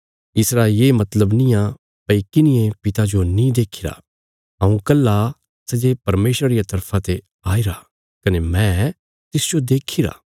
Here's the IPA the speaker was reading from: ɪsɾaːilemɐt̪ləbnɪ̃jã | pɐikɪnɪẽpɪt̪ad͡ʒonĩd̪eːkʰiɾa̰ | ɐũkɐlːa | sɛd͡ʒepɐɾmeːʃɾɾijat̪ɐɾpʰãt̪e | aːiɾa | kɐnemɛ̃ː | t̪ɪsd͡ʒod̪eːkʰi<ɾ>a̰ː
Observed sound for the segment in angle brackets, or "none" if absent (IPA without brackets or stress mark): ɾ